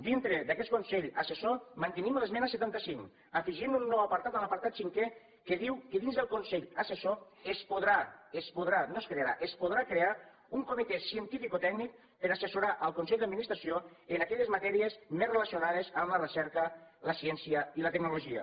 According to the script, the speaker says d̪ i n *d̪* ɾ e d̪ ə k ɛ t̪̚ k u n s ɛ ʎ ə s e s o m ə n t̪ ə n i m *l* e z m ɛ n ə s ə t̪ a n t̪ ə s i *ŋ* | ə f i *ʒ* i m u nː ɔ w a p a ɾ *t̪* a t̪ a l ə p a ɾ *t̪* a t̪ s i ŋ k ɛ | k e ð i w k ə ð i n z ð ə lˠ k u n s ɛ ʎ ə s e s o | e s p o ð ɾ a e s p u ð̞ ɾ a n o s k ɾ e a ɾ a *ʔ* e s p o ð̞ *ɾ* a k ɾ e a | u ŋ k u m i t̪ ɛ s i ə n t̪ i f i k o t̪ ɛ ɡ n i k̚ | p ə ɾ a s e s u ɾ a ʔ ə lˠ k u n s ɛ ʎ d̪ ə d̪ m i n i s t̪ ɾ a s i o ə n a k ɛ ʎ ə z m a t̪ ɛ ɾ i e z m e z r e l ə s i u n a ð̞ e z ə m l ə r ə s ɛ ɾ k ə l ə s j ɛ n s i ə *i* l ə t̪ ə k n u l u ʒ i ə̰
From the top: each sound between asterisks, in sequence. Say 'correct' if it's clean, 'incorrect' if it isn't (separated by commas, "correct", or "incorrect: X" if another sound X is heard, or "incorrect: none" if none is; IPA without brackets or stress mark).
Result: incorrect: t̪, correct, correct, correct, correct, correct, correct, correct, correct